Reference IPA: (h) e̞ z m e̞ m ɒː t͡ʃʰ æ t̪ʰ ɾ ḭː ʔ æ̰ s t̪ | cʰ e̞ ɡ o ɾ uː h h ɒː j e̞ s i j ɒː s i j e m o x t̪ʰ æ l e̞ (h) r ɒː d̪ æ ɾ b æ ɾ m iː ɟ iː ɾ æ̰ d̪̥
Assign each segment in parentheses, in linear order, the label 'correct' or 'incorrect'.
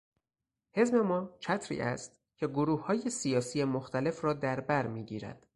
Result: correct, incorrect: f

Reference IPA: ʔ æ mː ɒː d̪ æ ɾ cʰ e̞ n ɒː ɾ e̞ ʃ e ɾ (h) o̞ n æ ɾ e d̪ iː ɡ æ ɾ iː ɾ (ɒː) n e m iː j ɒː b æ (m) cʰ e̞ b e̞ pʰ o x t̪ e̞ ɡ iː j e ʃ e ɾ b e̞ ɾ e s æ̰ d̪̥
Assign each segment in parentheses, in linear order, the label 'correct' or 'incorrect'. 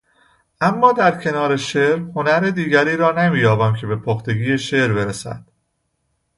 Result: correct, correct, correct

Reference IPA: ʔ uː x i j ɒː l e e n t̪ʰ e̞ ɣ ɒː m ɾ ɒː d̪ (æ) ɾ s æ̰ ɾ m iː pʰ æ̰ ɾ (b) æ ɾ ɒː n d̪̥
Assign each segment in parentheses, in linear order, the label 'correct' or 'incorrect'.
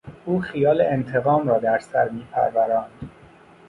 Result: correct, incorrect: v

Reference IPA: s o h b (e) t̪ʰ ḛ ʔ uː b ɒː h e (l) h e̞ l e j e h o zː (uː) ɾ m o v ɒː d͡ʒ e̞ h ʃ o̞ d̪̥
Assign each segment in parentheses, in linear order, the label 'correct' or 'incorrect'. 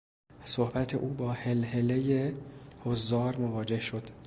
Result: incorrect: æ, correct, incorrect: ɒː

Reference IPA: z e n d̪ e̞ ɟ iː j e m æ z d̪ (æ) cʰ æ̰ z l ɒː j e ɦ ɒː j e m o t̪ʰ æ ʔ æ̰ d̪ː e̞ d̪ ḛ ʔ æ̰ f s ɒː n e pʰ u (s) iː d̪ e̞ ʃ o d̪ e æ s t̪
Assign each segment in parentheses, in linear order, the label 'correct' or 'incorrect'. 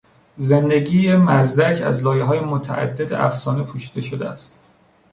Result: correct, incorrect: ʃ

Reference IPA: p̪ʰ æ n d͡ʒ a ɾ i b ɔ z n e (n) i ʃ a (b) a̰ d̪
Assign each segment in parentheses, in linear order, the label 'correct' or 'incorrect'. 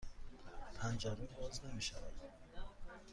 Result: incorrect: m, incorrect: v

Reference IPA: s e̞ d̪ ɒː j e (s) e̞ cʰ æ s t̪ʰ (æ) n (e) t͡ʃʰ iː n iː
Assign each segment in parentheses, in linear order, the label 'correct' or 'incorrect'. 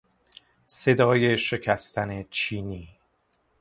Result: incorrect: ʃ, correct, correct

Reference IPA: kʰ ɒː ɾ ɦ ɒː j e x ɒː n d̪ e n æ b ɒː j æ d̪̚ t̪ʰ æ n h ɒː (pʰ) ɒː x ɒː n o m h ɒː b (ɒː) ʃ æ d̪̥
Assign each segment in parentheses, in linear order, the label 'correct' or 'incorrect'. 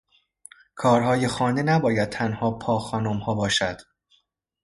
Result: correct, correct

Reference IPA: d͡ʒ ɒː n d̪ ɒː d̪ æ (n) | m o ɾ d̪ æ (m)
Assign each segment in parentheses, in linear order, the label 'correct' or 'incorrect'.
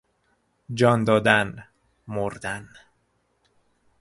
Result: correct, incorrect: n

